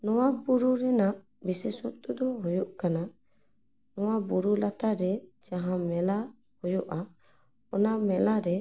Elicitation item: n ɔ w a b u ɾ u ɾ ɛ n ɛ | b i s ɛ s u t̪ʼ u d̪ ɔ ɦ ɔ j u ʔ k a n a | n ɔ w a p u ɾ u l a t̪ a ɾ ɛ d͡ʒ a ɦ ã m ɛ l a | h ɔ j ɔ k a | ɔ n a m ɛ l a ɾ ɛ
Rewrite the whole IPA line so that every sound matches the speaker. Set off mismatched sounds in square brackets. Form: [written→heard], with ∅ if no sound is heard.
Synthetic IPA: n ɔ w a b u ɾ u ɾ ɛ n [ɛ→a] | b i s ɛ s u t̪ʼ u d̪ ɔ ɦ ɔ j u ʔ k a n a | n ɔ w a [p→b] u ɾ u l a t̪ a ɾ ɛ d͡ʒ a ɦ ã m ɛ l a | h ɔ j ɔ [k→ʔ] a | ɔ n a m ɛ l a ɾ ɛ